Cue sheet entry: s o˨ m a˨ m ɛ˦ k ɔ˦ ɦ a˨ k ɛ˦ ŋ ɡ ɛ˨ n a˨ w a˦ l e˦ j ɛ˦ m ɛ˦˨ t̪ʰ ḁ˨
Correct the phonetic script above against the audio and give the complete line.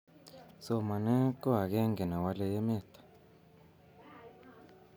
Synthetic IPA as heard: s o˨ m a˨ n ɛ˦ k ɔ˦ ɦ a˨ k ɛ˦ ŋ ɡ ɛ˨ n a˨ w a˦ l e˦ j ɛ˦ m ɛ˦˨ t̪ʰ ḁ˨